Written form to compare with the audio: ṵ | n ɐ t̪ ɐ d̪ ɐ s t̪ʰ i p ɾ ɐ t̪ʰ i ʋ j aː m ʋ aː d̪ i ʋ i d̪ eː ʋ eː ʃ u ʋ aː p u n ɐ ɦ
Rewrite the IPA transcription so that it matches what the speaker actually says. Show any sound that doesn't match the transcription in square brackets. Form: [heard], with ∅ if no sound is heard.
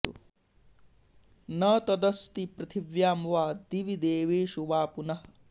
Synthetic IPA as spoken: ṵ | n ɐ t̪ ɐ d̪ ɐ s [t̪] i p ɾ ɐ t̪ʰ i ʋ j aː m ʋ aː d̪ i ʋ i d̪ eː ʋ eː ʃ u ʋ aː p u n ɐ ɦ